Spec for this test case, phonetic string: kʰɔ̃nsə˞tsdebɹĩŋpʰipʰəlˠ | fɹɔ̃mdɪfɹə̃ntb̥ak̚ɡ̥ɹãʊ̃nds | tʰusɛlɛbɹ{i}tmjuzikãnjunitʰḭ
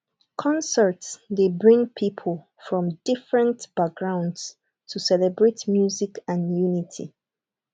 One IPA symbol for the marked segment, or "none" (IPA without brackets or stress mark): e